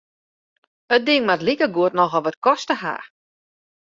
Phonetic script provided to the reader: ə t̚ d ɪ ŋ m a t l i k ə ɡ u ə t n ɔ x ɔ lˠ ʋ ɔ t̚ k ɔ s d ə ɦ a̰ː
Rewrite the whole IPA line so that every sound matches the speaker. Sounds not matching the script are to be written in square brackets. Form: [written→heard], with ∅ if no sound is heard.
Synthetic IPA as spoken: ə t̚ d ɪ ŋ m a t l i k ə ɡ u ə t n ɔ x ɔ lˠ ʋ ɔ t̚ k ɔ s [d→t] ə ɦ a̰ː